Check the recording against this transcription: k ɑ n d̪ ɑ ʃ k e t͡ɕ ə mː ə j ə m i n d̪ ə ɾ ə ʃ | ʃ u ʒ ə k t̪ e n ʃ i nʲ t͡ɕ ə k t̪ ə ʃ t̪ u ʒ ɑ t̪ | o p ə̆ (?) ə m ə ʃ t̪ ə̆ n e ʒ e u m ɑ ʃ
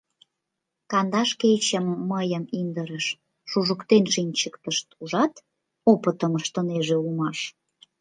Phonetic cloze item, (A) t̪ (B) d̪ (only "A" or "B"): A